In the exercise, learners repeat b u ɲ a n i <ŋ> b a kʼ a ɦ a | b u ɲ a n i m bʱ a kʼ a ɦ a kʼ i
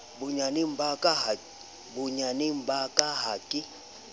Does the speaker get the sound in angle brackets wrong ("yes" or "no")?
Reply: yes